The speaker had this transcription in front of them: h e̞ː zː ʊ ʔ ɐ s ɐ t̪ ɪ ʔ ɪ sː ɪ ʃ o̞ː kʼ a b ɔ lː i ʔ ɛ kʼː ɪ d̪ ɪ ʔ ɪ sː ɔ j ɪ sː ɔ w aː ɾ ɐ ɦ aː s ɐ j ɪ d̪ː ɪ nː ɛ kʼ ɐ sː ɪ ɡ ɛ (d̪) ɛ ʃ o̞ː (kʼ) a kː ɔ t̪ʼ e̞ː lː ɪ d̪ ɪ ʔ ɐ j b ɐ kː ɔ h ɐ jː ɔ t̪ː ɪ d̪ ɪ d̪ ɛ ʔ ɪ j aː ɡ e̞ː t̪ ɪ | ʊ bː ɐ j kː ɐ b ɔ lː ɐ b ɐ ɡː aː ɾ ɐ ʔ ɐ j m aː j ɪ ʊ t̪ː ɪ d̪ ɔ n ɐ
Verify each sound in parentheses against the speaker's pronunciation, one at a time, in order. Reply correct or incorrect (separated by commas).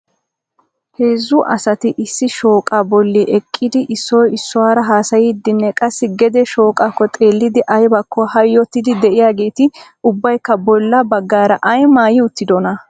correct, correct